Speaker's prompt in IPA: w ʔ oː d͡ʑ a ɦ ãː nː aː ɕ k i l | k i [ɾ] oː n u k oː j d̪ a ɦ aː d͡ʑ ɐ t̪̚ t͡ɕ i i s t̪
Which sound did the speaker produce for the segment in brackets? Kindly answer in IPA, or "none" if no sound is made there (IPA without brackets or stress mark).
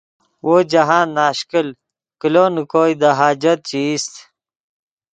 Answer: l